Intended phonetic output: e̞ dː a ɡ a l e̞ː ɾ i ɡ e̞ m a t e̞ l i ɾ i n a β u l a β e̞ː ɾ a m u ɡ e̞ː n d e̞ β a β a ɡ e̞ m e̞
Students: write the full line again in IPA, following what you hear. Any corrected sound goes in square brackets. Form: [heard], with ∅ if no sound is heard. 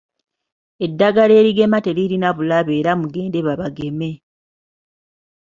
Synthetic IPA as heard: e̞ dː a ɡ a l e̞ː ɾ i ɡ e̞ m a t e̞ l i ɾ i n a β u l a β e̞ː ɾ a m u ɡ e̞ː n d e̞ β a β a ɡ e̞ m e̞